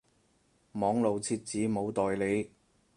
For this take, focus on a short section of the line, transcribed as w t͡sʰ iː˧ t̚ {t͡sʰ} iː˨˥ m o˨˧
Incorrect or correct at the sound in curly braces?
incorrect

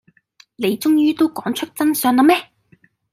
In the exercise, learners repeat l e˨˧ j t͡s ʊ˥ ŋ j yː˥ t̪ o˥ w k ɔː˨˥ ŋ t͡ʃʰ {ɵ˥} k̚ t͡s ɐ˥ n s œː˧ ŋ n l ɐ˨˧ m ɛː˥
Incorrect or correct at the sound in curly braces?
correct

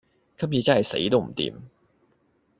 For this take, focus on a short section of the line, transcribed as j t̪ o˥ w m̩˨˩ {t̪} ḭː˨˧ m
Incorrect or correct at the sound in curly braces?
correct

